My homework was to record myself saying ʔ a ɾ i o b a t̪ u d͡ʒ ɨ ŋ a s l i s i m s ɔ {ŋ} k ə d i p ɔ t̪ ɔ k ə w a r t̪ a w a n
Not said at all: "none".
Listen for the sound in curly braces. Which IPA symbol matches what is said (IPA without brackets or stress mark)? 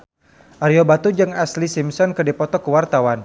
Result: n